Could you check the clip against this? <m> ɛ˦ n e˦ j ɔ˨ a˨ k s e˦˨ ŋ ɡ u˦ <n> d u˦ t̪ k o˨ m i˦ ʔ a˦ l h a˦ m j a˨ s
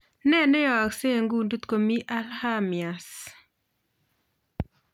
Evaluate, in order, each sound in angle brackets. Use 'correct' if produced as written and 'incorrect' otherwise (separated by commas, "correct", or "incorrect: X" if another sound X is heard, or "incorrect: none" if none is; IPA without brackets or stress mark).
incorrect: n, correct